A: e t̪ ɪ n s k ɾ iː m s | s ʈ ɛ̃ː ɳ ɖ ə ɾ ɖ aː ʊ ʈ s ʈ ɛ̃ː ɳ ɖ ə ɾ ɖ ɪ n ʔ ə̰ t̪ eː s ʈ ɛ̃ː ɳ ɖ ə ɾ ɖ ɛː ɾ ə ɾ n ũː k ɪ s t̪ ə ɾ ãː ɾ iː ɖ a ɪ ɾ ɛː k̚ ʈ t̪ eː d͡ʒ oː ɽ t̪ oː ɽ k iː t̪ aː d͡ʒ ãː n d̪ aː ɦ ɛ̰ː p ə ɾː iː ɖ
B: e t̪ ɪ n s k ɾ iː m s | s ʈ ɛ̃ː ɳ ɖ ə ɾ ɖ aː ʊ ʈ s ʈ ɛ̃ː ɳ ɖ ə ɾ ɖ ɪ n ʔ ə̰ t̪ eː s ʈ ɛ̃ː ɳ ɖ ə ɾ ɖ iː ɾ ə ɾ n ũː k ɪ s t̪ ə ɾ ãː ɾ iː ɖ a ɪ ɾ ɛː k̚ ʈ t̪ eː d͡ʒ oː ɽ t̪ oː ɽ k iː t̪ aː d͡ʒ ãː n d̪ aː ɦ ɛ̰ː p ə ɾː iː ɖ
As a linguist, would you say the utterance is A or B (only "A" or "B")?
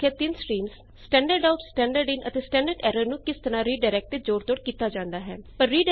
A